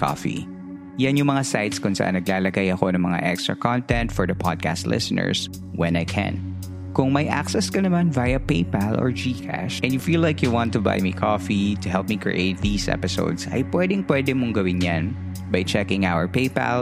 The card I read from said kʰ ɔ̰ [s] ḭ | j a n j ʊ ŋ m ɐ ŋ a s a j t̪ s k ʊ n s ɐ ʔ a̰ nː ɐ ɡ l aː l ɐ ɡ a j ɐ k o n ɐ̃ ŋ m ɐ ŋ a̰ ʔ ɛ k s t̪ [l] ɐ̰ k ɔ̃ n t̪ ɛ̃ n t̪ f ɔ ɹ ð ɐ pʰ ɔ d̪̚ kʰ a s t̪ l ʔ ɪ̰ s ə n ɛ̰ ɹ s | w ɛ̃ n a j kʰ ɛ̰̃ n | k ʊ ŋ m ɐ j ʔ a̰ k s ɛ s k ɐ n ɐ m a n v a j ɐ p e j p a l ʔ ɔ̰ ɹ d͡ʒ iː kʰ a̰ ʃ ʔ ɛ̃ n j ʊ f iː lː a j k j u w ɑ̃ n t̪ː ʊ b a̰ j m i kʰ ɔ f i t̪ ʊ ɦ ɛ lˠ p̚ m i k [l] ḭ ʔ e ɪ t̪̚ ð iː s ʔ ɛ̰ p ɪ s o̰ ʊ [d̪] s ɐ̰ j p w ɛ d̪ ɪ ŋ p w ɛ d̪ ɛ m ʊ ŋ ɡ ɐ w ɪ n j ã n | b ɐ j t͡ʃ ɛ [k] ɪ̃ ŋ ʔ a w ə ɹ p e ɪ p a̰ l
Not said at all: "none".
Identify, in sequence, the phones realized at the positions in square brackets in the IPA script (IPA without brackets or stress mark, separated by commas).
f, ɹ, ɹ, d̪, k